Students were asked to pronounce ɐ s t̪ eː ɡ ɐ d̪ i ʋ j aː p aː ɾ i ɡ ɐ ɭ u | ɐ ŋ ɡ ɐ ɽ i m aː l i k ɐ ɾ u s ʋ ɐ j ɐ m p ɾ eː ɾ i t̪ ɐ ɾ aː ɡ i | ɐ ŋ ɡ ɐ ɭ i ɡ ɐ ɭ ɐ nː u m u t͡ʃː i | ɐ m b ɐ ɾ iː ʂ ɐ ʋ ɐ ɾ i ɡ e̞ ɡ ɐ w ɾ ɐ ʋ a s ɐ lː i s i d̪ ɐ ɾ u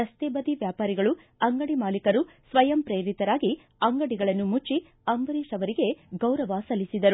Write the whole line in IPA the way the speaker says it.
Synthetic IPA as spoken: ɐ s t̪ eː b ɐ d̪ i ʋ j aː p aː ɾ i ɡ ɐ ɭ u | ɐ ŋ ɡ ɐ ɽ i m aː l i k ɐ ɾ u s ʋ ɐ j ɐ m p ɾ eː ɾ i t̪ ɐ ɾ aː ɡ i | ɐ ŋ ɡ ɐ ɽ i ɡ ɐ ɭ ɐ nː u m u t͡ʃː i | ɐ m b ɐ ɾ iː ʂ ɐ ʋ ɐ ɾ i ɡ e̞ ɡ ɐ w ɾ ɐ ʋ a s ɐ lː i s i d̪ ɐ ɾ u